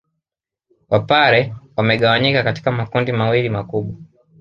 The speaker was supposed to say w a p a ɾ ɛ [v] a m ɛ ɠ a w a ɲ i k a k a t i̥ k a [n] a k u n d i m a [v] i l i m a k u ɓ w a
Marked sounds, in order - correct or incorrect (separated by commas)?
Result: incorrect, incorrect, incorrect